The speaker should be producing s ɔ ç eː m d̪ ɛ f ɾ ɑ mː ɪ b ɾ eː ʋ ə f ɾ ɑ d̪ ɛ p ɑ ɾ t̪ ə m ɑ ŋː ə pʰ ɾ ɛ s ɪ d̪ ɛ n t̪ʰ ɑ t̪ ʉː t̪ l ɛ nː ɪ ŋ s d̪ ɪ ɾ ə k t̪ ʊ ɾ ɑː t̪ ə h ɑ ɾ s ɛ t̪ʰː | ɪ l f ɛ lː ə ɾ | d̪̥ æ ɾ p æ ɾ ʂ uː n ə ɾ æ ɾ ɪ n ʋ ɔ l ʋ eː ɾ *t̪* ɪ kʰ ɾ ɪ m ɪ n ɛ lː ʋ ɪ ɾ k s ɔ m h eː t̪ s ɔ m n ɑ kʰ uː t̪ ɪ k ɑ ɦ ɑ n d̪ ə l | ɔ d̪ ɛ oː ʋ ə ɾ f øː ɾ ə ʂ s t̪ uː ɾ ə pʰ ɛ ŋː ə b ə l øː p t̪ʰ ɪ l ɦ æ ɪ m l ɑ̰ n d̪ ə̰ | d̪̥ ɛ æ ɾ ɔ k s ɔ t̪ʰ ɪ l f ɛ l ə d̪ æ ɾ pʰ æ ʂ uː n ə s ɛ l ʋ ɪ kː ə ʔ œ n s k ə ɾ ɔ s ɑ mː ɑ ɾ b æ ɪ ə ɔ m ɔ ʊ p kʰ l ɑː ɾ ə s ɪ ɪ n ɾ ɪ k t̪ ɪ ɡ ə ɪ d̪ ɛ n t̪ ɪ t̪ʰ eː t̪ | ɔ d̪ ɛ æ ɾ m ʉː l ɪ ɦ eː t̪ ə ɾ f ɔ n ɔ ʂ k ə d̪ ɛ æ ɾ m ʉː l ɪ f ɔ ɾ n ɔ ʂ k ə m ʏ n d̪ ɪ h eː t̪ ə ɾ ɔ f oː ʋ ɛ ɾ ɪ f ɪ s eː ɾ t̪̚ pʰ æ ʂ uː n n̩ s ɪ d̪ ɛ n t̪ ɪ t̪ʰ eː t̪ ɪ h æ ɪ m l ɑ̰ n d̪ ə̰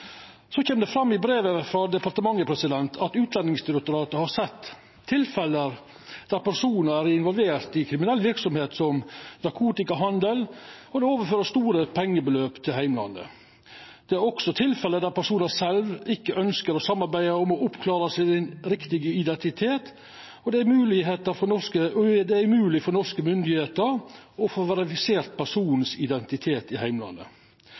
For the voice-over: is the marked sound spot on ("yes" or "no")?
yes